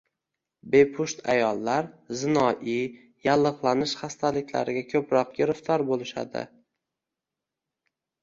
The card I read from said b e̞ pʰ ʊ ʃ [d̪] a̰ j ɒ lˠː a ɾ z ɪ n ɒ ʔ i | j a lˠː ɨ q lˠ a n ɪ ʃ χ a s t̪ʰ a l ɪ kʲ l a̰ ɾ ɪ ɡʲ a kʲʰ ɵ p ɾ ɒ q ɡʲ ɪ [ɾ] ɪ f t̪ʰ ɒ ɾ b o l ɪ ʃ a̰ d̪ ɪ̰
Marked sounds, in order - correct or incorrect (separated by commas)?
incorrect, correct